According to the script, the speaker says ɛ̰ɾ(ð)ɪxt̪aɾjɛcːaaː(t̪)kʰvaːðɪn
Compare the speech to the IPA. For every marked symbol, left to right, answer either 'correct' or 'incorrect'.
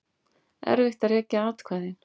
incorrect: v, correct

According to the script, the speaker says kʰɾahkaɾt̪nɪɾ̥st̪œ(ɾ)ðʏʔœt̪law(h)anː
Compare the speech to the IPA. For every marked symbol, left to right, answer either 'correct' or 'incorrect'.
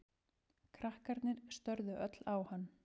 correct, correct

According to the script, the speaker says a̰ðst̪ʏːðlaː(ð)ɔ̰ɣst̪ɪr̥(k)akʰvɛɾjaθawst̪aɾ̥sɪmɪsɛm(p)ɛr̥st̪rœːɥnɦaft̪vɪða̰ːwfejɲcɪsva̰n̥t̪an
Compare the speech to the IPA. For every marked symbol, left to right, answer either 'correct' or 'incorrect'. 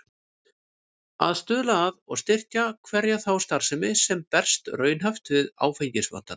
correct, incorrect: c, correct

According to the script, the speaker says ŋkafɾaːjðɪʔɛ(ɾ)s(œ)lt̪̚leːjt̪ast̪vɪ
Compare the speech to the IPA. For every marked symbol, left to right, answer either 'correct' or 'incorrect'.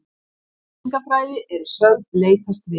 correct, correct

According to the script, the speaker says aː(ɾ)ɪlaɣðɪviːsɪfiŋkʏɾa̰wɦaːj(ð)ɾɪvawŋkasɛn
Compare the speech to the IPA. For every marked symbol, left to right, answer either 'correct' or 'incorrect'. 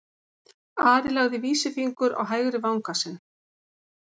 correct, incorrect: ɣ

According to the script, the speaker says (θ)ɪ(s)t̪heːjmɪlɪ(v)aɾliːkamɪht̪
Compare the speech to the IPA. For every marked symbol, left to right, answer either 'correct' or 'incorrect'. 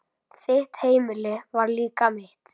correct, incorrect: h, correct

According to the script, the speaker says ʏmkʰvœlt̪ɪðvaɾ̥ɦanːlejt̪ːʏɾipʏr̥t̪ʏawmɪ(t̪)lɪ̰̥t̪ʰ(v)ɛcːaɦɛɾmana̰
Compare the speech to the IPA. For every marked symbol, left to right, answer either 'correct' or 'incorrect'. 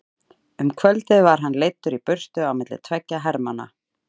correct, correct

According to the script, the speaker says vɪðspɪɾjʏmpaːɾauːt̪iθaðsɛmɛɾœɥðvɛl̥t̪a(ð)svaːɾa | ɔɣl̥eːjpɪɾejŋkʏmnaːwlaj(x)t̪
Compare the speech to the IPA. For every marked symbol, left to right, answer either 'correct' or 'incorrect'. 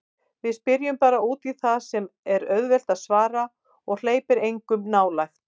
correct, correct

